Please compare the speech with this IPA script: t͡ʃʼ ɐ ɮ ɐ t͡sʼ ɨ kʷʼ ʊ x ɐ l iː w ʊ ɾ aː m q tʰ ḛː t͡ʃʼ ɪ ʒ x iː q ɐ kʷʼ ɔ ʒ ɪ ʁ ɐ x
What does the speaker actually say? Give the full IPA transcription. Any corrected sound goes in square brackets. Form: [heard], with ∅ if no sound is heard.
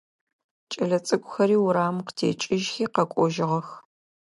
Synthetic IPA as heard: t͡ʃʼ ɐ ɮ ɐ t͡sʼ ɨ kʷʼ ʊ x ɐ [ɾ] iː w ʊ ɾ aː m q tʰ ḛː t͡ʃʼ ɪ ʒ x iː q ɐ kʷʼ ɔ ʒ ɪ ʁ ɐ x